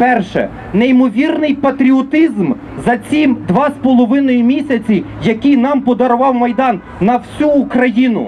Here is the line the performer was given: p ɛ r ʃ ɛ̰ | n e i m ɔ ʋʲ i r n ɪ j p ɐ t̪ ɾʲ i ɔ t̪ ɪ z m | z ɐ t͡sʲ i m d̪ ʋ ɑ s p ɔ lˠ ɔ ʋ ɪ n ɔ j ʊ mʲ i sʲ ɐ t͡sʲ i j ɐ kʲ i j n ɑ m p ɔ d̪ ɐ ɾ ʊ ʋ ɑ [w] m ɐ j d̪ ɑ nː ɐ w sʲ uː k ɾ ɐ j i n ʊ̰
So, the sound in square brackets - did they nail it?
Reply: yes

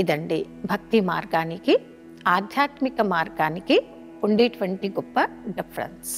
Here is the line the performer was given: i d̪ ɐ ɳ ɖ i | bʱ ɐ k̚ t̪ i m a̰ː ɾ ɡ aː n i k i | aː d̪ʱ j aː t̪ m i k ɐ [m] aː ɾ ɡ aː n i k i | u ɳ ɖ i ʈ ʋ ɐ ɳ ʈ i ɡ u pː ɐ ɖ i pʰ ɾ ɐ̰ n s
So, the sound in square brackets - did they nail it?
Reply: yes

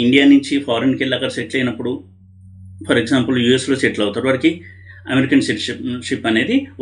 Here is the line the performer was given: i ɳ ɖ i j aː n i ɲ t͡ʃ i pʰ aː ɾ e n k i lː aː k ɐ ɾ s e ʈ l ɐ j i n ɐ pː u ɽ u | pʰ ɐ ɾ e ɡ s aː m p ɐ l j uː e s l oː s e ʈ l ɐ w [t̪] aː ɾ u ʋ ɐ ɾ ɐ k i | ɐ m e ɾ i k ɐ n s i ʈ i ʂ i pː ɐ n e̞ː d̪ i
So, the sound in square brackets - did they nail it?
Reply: yes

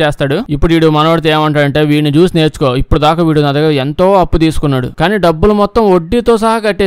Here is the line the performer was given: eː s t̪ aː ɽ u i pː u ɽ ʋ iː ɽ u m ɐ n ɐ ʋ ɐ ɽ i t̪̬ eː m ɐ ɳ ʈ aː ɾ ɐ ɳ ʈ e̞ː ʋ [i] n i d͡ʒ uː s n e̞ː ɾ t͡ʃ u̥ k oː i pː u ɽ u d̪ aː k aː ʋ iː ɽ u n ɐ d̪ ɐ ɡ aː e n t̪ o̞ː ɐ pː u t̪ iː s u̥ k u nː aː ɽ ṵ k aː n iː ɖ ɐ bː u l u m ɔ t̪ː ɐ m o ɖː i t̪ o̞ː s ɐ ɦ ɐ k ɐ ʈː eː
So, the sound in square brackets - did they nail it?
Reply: no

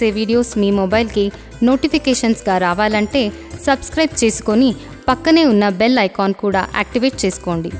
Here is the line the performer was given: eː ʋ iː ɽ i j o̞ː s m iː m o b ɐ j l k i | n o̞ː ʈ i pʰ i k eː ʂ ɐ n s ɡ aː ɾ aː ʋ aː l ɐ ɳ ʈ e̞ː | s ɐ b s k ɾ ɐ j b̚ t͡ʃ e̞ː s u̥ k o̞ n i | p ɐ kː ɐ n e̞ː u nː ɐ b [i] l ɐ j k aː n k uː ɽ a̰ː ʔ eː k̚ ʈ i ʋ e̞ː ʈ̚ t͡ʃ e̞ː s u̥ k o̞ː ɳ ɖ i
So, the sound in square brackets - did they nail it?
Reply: no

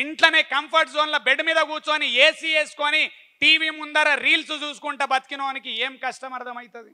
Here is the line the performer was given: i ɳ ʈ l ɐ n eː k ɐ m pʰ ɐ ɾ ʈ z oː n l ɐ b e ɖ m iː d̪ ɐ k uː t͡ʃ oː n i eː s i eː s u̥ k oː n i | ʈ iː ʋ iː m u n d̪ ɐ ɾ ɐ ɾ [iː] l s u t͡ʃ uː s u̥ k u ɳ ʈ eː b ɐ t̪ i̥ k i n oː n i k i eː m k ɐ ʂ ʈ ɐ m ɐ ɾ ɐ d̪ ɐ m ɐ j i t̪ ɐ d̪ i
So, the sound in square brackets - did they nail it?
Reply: yes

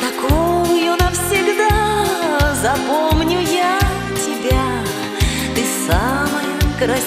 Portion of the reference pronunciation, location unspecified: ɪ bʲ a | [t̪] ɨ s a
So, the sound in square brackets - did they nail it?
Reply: yes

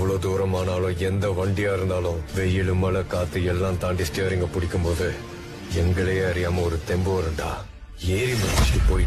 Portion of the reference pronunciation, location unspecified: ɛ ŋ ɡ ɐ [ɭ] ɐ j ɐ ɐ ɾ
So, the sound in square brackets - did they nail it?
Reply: yes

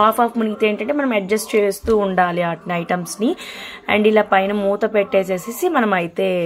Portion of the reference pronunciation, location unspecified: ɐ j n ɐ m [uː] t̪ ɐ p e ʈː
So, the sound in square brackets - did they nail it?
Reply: yes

